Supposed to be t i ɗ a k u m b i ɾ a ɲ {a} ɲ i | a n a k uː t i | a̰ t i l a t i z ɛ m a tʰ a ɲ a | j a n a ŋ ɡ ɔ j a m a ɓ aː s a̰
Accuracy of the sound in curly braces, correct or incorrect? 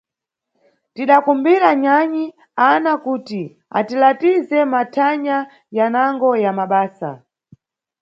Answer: correct